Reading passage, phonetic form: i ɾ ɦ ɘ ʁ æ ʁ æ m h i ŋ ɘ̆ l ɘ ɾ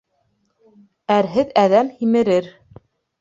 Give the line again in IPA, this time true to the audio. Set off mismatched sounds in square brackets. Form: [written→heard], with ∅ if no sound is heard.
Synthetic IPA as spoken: [i→æ] ɾ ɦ ɘ [ʁ→ð] æ [ʁ→ð] æ m h i [ŋ→m] ɘ̆ [l→ɾ] ɘ ɾ

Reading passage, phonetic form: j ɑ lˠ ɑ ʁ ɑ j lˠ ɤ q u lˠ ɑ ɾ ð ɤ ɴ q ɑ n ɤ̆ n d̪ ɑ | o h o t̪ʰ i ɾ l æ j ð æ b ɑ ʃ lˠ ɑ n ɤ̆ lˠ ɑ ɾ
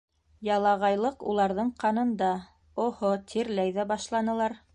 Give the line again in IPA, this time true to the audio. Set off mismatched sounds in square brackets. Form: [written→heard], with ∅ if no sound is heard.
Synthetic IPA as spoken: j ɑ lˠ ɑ ʁ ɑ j lˠ ɤ q u lˠ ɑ ɾ ð ɤ ɴ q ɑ n ɤ̆ n d̪ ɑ | o h o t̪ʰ i ɾ l æ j ð æ b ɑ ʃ lˠ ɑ n ɤ̆ lˠ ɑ ɾ

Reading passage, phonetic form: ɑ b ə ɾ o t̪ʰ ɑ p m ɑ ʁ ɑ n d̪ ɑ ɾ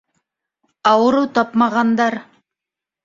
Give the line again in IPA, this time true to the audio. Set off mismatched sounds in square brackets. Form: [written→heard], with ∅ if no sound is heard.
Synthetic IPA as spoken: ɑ [b→w] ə ɾ [o→u] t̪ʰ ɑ p m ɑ ʁ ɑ n d̪ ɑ ɾ

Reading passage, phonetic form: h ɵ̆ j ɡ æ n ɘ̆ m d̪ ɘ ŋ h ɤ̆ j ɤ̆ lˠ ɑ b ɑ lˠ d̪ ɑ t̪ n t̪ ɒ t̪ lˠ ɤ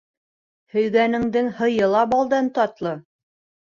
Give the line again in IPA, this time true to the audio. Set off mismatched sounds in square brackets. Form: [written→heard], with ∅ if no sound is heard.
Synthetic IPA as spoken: h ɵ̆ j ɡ æ n ɘ̆ [m→ŋ] d̪ ɘ ŋ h ɤ̆ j ɤ̆ lˠ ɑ b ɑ lˠ d̪ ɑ [t̪→∅] n t̪ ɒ t̪ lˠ ɤ

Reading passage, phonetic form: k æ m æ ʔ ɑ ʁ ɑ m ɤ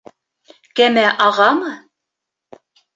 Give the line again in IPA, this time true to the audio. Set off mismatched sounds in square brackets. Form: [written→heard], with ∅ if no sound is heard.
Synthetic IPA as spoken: k æ m æ ʔ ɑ ʁ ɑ m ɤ

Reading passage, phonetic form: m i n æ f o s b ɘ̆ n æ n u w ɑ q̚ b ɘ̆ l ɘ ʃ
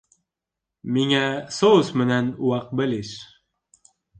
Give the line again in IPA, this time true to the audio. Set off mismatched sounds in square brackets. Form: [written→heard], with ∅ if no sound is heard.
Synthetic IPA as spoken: m i [n→ŋ] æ [f→s] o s [b→m] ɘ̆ n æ n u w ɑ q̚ b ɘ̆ l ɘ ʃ

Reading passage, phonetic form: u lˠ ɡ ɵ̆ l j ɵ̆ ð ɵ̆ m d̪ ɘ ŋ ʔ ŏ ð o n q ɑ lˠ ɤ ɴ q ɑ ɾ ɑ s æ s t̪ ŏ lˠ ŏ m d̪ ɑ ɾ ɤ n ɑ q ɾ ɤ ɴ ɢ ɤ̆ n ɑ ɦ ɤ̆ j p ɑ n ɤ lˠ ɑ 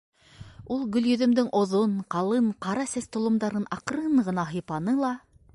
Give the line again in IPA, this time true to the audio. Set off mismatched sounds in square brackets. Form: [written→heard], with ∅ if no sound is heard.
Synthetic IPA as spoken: u lˠ ɡ ɵ̆ l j ɵ̆ ð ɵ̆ m d̪ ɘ ŋ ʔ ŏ ð o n q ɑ lˠ ɤ ɴ q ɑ ɾ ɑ s æ s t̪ ŏ lˠ ŏ m d̪ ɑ ɾ ɤ n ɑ q ɾ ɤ ɴ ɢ ɤ̆ n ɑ ɦ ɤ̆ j p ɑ n ɤ lˠ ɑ

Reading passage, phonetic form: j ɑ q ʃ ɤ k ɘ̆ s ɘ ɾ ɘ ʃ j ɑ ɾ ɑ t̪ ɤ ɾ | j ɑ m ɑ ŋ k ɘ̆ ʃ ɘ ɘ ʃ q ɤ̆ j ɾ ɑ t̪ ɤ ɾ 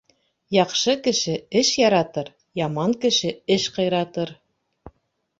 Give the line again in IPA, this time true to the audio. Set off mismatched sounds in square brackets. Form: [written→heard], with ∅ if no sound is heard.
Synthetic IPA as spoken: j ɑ q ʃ ɤ k ɘ̆ [s→ʃ] ɘ [ɾ→∅] ɘ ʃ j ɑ ɾ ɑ t̪ ɤ ɾ | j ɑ m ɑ ŋ k ɘ̆ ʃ ɘ ɘ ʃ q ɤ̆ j ɾ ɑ t̪ ɤ ɾ

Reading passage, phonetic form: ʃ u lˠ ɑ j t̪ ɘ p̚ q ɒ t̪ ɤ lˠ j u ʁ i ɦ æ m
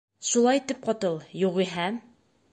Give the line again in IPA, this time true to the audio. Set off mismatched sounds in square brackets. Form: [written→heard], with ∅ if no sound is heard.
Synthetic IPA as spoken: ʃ u lˠ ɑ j t̪ ɘ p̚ q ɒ t̪ ɤ lˠ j u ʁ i ɦ æ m

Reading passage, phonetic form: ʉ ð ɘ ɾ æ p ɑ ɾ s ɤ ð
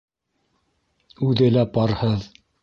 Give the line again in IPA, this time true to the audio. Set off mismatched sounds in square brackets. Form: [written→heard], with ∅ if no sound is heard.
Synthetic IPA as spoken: ʉ ð ɘ [ɾ→l] æ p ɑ ɾ [s→h] ɤ ð

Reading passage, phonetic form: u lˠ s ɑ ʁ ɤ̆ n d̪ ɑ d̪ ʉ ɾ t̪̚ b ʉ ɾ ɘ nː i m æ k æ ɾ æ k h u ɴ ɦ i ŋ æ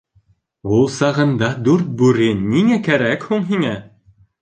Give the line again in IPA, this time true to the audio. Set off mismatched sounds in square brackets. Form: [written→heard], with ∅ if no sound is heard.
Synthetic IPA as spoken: u lˠ s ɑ ʁ ɤ̆ n d̪ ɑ d̪ ʉ ɾ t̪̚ b ʉ ɾ ɘ nː i [m→ŋ] æ k æ ɾ æ k h u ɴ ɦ i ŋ æ

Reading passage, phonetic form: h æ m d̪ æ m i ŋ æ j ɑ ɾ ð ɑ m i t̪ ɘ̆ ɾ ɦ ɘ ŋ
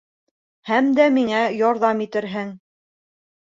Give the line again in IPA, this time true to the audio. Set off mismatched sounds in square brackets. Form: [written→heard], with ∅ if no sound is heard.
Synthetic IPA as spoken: h æ m d̪ æ m i ŋ æ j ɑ ɾ ð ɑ m i t̪ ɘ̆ ɾ ɦ ɘ ŋ

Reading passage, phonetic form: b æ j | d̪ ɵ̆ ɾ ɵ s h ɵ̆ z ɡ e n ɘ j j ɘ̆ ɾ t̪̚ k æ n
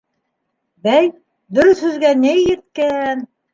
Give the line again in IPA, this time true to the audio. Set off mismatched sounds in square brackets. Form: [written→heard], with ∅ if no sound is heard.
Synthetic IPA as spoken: b æ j | d̪ ɵ̆ ɾ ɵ [s→θ] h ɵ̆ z ɡ [e→æ] n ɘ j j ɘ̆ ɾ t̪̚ k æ n

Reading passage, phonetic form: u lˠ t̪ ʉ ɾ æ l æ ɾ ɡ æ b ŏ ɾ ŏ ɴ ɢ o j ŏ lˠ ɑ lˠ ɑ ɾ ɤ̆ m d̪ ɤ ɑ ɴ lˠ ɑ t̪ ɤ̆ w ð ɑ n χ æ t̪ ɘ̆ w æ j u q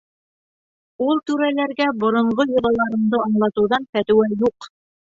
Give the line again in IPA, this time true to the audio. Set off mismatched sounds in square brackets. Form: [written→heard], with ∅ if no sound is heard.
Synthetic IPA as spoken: u lˠ t̪ ʉ ɾ æ l æ ɾ ɡ æ b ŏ ɾ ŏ ɴ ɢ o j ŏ lˠ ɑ lˠ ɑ ɾ ɤ̆ m d̪ ɤ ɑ ɴ lˠ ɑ t̪ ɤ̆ w ð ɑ n [χ→f] æ t̪ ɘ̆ w æ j u q

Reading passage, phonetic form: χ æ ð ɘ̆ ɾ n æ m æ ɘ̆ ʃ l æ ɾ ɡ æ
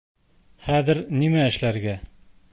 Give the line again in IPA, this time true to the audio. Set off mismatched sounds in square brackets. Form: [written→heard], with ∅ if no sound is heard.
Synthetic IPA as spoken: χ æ ð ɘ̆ ɾ n [æ→i] m æ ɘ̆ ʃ l æ ɾ ɡ æ

